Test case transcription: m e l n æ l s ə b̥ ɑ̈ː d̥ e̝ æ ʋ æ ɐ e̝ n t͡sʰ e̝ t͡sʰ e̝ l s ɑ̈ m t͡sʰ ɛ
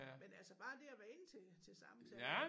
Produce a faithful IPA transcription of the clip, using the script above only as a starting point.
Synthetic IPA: m e n æ l s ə b̥ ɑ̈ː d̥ e̝ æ ʋ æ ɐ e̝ n t͡sʰ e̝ t͡sʰ e̝ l s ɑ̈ m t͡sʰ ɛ